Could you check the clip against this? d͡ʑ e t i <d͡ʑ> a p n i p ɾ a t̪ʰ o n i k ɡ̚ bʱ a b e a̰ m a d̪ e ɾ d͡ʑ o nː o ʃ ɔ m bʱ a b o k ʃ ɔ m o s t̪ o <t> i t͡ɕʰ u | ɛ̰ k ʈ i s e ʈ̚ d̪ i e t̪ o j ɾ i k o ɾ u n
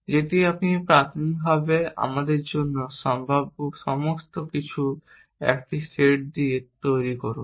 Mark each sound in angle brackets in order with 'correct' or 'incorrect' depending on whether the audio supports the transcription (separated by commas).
incorrect, incorrect